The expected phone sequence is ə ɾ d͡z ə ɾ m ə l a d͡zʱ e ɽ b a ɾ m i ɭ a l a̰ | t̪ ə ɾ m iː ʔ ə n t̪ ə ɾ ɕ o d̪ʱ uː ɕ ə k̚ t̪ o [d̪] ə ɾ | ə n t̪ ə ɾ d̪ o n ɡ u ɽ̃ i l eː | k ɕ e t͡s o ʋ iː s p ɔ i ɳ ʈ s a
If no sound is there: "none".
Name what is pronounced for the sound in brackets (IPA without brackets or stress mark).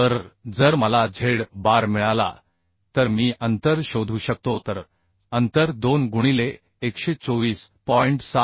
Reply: t̪